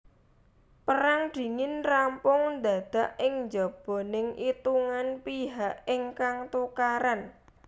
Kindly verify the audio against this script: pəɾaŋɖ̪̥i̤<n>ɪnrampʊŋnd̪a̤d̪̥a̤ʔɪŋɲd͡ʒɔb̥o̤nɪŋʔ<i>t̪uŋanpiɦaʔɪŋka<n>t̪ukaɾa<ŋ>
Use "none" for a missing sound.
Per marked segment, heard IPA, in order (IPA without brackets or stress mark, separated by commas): ŋ, i, ŋ, n